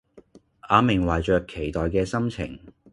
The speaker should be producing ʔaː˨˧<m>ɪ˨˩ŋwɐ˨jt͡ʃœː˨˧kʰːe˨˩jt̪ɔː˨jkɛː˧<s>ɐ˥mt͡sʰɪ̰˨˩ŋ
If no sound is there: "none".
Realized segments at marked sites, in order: m, s

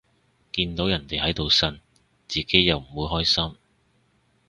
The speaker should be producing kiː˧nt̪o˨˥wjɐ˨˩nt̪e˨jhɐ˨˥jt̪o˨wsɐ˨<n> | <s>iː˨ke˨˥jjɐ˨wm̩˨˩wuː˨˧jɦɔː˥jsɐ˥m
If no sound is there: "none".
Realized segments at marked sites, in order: n, t͡s

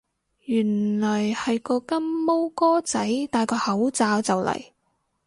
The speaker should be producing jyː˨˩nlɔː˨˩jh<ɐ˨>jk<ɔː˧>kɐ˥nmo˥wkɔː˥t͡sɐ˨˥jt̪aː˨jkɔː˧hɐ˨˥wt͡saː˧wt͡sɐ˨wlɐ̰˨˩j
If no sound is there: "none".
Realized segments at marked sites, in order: ɐ˨, ɔː˧

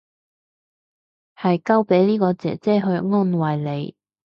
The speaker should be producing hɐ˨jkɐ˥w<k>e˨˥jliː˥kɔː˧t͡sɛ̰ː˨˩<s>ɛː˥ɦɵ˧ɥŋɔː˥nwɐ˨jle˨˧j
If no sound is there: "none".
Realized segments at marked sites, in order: p, t͡s

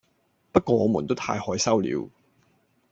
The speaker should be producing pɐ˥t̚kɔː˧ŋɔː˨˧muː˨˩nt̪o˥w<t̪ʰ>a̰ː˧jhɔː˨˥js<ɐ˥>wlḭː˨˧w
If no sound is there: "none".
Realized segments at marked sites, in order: t̪ʰ, ɐ˥

